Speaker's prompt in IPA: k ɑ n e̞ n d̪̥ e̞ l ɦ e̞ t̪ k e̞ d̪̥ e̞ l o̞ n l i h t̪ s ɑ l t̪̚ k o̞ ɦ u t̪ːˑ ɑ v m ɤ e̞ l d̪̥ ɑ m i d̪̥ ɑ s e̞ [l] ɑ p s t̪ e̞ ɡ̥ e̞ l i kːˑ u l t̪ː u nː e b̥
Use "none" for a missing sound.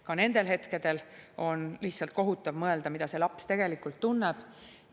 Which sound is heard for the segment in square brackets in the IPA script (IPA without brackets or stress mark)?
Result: l